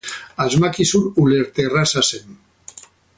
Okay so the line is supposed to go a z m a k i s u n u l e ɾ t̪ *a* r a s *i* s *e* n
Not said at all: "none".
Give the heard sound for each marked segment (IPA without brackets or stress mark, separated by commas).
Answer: e, a, e